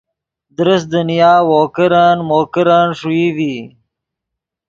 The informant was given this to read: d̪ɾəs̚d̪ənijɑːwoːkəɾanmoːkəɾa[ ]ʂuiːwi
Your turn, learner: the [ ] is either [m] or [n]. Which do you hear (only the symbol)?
n